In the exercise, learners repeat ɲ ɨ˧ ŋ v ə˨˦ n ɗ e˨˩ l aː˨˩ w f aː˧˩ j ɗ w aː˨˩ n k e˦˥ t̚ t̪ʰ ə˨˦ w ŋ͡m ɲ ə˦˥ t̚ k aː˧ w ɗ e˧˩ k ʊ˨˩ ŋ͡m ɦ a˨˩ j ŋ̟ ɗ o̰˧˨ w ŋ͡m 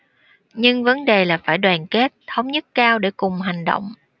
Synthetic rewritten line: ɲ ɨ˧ ŋ v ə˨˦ n ɗ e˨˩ l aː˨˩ f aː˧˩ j ɗ w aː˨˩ n k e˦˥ t̚ t̪ʰ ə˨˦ w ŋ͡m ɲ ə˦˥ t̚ k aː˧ w ɗ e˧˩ k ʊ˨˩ ŋ͡m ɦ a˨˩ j ŋ̟ ɗ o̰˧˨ w ŋ͡m